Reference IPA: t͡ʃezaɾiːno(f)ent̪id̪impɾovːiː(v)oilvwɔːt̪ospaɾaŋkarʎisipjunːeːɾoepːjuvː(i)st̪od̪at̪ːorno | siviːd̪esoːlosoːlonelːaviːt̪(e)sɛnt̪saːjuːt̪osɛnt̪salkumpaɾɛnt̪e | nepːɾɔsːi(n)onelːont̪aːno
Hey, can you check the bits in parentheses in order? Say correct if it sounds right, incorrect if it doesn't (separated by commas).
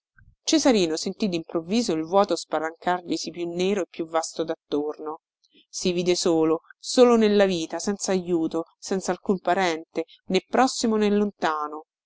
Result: incorrect, incorrect, incorrect, incorrect, incorrect